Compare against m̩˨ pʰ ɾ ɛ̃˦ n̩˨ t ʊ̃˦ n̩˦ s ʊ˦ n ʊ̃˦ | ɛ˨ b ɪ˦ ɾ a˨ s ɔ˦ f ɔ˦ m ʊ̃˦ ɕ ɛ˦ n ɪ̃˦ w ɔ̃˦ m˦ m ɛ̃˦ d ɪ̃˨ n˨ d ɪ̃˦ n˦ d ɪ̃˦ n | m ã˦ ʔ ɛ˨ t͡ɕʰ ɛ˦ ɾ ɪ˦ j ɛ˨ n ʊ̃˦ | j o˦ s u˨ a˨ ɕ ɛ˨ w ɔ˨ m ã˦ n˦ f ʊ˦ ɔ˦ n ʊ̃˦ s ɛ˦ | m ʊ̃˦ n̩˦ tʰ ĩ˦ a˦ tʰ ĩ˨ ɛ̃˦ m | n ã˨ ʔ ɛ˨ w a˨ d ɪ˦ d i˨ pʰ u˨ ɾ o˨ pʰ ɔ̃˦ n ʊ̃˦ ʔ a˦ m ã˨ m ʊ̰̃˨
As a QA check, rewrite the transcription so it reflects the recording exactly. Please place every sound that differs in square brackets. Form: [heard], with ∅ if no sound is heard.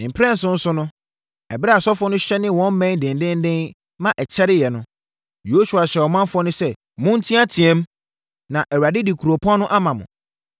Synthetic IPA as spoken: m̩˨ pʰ ɾ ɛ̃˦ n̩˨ [s] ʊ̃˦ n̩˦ s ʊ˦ n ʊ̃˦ | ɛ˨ b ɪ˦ ɾ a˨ s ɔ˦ f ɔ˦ [n] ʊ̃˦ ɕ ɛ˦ n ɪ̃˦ w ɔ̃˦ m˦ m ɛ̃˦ d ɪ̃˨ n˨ d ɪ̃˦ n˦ d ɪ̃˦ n | m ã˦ ʔ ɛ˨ t͡ɕʰ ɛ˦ ɾ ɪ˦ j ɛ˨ n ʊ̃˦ | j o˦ s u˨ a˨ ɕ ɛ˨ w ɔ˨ m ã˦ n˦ f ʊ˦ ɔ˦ n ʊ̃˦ s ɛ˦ | m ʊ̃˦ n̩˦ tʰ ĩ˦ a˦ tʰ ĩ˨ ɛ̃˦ m | n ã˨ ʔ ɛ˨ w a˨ d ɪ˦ d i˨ [kʰ] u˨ ɾ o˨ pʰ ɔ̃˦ n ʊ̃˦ ʔ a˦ m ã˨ m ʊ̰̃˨